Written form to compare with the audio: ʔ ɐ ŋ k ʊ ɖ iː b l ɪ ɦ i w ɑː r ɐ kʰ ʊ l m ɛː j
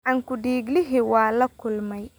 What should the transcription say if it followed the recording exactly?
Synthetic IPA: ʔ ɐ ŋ k ʊ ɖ iː ɡ l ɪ ɦ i w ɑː l ɐ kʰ ʊ l m ɛ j